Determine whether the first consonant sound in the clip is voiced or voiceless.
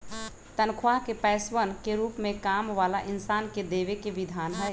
voiceless